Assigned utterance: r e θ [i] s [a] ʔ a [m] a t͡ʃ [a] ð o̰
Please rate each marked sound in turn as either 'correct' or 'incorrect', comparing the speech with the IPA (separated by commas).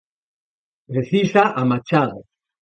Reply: correct, correct, correct, correct